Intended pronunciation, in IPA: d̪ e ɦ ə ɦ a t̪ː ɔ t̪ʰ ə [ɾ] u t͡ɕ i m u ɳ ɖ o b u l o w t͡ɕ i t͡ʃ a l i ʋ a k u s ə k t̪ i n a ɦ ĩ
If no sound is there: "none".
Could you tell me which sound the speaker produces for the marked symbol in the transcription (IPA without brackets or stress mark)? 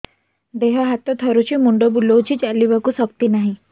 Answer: ɾ